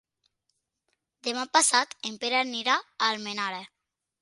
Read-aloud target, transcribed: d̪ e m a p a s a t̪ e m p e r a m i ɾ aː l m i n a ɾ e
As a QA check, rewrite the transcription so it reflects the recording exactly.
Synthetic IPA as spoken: d̪ e m a p a s a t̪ e m p e ɾ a n i ɾ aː l m e n a ɾ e